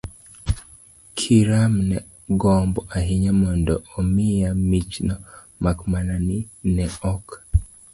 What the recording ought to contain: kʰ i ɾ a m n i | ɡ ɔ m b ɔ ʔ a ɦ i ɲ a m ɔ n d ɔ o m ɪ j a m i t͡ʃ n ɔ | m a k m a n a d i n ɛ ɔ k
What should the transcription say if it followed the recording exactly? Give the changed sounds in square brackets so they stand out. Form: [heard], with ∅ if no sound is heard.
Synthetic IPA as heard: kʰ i ɾ a m n [ɛ] | ɡ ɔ m b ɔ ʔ a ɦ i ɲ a m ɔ n d ɔ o m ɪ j a m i t͡ʃ n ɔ | m a k m a n a [n] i n ɛ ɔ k